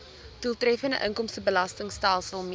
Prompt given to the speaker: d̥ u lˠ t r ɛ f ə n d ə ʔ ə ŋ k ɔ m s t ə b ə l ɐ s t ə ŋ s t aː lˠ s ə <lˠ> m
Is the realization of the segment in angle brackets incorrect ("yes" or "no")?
no